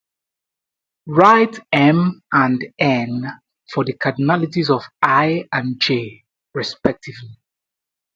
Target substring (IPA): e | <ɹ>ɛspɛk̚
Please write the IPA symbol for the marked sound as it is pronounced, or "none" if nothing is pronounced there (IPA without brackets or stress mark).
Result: ɹ